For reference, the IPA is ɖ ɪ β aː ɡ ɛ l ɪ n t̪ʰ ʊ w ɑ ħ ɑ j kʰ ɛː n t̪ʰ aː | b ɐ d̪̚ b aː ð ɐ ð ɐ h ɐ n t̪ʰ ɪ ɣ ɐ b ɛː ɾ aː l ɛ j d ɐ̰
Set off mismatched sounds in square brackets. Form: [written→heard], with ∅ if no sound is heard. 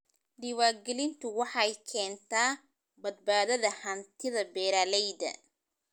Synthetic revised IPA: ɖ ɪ [β→w] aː ɡ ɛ l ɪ n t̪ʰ ʊ w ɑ ħ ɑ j kʰ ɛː n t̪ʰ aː | b ɐ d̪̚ b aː ð ɐ ð ɐ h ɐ n t̪ʰ ɪ [ɣ→ð] ɐ b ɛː ɾ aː l ɛ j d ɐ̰